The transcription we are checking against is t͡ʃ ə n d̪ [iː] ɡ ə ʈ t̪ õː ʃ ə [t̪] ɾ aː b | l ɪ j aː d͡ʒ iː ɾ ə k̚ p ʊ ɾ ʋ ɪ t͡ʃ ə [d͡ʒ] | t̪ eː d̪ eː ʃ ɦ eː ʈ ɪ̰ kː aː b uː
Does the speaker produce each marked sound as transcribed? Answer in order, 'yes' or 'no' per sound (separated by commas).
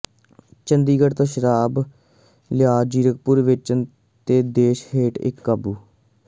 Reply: yes, no, no